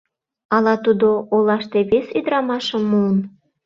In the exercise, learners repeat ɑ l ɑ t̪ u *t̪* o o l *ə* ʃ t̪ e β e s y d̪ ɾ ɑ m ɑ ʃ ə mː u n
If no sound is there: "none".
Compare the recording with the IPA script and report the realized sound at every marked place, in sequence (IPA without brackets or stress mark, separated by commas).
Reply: d̪, ɑ